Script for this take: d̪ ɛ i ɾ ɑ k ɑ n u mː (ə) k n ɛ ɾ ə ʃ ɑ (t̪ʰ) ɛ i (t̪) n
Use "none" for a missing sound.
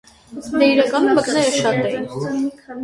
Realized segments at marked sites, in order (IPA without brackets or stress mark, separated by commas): ə, t̪, none